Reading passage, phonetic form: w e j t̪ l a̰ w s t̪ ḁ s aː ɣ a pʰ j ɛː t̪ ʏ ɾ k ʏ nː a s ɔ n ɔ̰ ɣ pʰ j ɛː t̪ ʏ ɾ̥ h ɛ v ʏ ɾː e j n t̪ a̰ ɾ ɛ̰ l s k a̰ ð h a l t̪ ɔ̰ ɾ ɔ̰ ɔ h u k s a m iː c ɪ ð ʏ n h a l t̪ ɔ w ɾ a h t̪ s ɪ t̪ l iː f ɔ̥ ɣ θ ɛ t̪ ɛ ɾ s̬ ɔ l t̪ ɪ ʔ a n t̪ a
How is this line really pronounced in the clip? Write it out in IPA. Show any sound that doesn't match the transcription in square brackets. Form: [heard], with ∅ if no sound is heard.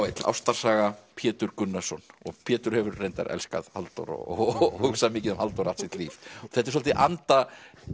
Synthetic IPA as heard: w e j t̪ l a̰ w s t̪ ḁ s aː ɣ a pʰ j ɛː t̪ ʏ ɾ k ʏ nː a s ɔ n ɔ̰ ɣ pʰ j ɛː t̪ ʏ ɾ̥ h ɛ v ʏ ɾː e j n t̪ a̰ ɾ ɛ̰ l s k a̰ ð h a l t̪ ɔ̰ ɾ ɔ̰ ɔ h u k s a m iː c ɪ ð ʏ [m] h a l t̪ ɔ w ɾ a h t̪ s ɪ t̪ l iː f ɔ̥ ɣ θ ɛ t̪ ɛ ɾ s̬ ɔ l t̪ ɪ ʔ a n t̪ a